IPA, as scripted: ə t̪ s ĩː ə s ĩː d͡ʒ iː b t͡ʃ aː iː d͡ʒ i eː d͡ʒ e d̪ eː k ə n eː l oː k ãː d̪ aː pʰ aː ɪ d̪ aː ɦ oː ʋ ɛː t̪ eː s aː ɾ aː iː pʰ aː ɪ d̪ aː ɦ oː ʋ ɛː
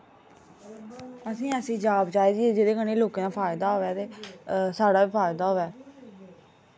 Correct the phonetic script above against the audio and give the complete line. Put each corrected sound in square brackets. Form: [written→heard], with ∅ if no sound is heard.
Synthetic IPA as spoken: ə [t̪→∅] s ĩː ə s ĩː d͡ʒ [iː→aː] b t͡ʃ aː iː d͡ʒ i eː d͡ʒ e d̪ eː k ə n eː l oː k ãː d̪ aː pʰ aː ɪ d̪ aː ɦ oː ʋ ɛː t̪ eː s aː [ɾ→ɽ] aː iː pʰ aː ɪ d̪ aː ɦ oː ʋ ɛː